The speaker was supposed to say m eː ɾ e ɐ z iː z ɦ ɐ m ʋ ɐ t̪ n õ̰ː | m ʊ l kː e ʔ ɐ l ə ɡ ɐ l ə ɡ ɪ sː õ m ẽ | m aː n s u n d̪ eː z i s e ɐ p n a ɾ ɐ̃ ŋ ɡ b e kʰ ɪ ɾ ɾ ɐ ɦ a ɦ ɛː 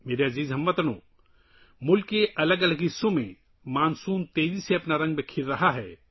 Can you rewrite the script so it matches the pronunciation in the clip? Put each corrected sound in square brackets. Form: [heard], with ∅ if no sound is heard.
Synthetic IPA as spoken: m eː ɾ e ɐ z iː z ɦ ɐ m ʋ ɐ t̪ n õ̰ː | m ʊ l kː e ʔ ɐ l ə ɡ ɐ l ə ɡ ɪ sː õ m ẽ | m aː n s [uː] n [t̪] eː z i s e ɐ p n a ɾ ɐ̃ ŋ ɡ b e kʰ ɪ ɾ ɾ ɐ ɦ a ɦ ɛː